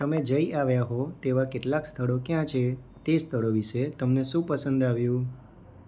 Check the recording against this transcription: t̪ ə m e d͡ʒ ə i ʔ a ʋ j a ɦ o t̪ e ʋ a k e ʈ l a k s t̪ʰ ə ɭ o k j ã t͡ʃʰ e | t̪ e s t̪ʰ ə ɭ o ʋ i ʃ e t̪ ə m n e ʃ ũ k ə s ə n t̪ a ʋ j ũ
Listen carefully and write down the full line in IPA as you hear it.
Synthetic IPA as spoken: t̪ ə m e d͡ʒ ə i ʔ a ʋ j a ɦ o t̪ e ʋ a k e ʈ l a k s t̪ʰ ə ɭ o k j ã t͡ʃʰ e | t̪ e s t̪ʰ ə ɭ o ʋ i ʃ e t̪ ə m n e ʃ ũ p ə s ə n d̪ a ʋ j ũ

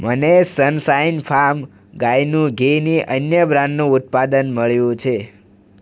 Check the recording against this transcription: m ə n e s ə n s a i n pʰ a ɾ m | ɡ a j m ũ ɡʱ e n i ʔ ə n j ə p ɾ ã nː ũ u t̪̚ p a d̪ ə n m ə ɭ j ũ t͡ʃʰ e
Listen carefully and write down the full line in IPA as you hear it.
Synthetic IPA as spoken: m ə n e s ə n s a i n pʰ a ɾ m | ɡ a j n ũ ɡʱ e n i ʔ ə n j ə b ɾ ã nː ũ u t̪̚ p a d̪ ə n m ə ɭ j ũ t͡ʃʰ e

